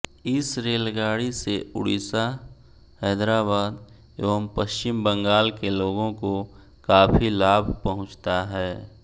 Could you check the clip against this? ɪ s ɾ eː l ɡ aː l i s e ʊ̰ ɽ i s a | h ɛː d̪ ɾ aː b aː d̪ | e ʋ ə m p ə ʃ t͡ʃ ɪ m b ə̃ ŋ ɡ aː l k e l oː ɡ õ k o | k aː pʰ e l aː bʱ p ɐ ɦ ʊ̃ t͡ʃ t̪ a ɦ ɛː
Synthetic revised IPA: ɪ s ɾ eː l ɡ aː ɽ i s e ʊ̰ ɽ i s a | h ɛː d̪ ɾ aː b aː d̪ | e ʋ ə m p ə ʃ t͡ʃ ɪ m b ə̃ ŋ ɡ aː l k e l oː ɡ õ k o | k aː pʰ i l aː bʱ p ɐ ɦ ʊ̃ t͡ʃ t̪ a ɦ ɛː